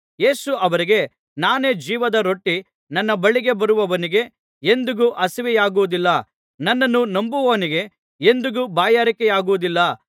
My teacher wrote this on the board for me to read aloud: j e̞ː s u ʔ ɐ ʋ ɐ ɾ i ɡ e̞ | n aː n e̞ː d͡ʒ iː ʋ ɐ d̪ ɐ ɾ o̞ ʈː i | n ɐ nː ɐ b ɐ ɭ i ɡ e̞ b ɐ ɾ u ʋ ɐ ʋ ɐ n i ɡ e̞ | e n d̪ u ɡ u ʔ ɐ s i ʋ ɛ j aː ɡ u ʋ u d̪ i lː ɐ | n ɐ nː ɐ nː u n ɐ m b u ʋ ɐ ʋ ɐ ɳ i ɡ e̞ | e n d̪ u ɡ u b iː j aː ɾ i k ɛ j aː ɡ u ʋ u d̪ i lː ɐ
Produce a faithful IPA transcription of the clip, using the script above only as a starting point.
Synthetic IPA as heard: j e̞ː s u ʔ ɐ ʋ ɐ ɾ i ɡ e̞ | n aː n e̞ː d͡ʒ iː ʋ ɐ d̪ ɐ ɾ o̞ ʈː i | n ɐ nː ɐ b ɐ ɭ i ɡ e̞ b ɐ ɾ u ʋ ɐ ʋ ɐ n i ɡ e̞ | e n d̪ u ɡ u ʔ ɐ s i ʋ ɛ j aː ɡ u ʋ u d̪ i lː ɐ | n ɐ nː ɐ nː u n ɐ m b u ʋ ɐ ʋ ɐ n i ɡ e̞ | e n d̪ u ɡ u b aː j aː ɾ i k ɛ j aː ɡ u ʋ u d̪ i lː ɐ